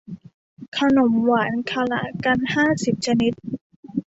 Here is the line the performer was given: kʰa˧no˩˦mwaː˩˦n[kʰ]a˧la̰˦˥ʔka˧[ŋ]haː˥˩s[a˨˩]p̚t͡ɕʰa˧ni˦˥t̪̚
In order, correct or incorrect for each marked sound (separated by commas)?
correct, incorrect, incorrect